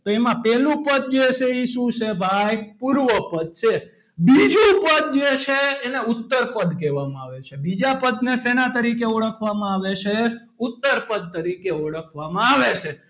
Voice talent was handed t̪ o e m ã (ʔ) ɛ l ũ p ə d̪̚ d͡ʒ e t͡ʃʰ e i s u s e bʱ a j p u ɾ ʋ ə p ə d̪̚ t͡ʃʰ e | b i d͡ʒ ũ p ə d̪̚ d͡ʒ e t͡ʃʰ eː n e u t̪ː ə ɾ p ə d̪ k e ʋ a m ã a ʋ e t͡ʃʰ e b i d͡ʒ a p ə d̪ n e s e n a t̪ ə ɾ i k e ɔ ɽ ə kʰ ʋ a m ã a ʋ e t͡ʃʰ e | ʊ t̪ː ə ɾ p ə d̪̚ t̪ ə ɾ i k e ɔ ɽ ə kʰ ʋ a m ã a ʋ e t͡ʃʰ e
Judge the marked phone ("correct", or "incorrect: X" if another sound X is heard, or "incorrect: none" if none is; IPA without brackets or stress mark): incorrect: p